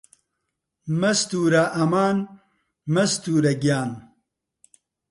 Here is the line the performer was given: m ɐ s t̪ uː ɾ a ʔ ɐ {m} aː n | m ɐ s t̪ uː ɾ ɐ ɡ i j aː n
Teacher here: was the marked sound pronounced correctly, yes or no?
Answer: yes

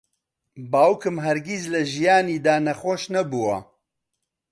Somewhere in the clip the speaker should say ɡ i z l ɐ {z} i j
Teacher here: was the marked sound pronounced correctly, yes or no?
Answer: no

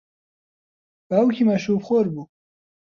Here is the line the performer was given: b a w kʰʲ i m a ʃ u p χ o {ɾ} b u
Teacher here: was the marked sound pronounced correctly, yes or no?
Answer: yes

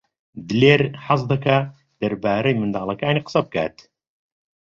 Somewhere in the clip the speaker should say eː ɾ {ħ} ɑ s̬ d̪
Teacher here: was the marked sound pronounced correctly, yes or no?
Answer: yes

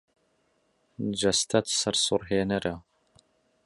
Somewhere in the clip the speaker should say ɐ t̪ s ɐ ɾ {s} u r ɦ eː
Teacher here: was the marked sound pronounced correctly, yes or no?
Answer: yes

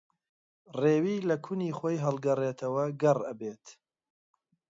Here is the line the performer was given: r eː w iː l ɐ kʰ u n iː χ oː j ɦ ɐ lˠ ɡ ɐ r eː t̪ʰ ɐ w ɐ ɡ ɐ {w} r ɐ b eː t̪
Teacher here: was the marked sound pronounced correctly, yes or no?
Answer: no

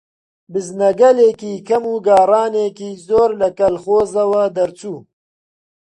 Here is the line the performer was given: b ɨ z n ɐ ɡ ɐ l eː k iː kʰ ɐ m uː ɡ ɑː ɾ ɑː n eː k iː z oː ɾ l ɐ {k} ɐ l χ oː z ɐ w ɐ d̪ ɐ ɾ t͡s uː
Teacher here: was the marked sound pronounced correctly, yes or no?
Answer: yes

